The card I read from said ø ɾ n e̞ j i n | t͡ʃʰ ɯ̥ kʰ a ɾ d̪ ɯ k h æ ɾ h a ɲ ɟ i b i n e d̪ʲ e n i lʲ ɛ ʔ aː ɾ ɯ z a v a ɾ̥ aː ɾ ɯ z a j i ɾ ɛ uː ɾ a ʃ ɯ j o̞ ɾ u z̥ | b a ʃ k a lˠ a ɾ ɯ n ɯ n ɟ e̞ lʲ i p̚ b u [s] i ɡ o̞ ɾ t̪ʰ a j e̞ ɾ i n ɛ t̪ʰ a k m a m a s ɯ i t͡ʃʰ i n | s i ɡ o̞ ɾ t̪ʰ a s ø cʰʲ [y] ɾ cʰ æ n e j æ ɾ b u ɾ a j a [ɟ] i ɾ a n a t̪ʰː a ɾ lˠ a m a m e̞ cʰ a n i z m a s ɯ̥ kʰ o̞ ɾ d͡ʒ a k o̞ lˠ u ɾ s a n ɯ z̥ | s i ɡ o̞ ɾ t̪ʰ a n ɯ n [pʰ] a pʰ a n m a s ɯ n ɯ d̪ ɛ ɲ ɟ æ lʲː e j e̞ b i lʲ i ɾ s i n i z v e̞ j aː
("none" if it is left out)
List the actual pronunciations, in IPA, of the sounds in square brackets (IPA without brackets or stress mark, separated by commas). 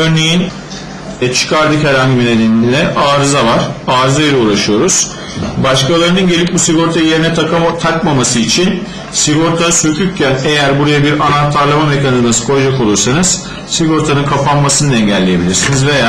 s, y, b, kʰ